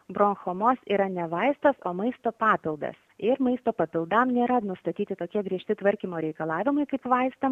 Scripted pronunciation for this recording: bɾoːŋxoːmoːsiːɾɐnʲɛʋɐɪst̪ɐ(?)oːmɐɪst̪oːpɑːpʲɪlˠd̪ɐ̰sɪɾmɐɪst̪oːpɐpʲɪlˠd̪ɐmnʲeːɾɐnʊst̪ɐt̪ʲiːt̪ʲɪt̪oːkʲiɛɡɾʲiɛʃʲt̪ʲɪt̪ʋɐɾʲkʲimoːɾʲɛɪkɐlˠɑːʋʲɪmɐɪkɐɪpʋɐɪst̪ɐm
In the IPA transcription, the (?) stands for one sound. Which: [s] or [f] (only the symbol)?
s